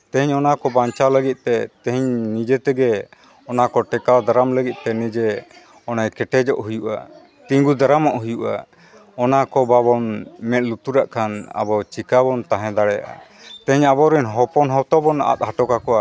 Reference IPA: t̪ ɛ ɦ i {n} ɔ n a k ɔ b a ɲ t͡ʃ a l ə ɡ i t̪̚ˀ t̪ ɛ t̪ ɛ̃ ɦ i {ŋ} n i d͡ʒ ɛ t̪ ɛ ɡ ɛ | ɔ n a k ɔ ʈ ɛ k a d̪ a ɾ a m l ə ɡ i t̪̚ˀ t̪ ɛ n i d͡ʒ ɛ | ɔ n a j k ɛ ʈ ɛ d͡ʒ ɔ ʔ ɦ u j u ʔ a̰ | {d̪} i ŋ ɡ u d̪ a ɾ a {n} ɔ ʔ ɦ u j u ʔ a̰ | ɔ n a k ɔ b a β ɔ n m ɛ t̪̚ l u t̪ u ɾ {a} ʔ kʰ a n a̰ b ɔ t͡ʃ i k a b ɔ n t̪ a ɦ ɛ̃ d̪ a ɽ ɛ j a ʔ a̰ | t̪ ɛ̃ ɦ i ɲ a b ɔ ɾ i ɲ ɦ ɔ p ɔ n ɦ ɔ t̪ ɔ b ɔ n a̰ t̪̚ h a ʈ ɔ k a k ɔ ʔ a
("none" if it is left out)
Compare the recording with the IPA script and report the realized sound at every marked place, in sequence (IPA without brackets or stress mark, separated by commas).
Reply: ɲ, ɲ, t̪, m, a